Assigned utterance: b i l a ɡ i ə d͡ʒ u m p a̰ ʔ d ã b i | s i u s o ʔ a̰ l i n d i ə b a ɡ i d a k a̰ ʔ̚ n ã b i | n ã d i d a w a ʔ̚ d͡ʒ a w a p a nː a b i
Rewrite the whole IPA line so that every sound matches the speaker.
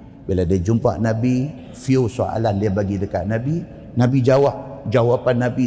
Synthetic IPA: b i l a d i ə d͡ʒ u m p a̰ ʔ n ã b i | f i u s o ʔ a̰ l a n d i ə b a ɡ i d ə k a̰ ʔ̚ n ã b i | n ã b i d͡ʒ a w a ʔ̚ d͡ʒ a w a p a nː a b i